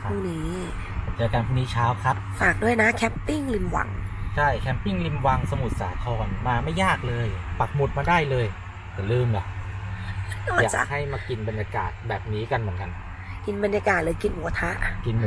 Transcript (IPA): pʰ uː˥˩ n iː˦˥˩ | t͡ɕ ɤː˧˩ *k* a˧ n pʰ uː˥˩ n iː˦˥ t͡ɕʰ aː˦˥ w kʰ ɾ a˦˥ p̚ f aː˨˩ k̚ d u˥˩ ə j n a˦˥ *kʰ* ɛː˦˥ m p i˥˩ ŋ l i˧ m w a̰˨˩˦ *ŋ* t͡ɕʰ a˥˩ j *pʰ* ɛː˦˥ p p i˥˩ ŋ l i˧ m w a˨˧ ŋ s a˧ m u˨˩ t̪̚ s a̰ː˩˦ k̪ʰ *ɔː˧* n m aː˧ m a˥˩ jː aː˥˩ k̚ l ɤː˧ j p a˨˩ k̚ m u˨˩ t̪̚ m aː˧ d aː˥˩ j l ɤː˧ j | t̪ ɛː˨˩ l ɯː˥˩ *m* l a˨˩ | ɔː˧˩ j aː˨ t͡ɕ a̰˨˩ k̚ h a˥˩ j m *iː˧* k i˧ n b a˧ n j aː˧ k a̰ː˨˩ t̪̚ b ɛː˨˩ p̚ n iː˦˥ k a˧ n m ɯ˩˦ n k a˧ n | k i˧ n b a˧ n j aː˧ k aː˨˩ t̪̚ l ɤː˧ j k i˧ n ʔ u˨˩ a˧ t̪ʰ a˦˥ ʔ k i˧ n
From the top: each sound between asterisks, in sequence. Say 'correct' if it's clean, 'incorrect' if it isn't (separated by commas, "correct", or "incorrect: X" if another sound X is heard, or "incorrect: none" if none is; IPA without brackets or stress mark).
correct, correct, correct, incorrect: kʰ, correct, correct, incorrect: aː˧